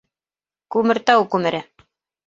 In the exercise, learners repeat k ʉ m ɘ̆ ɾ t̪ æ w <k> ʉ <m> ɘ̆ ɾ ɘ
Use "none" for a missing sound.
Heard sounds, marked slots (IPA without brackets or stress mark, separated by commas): k, m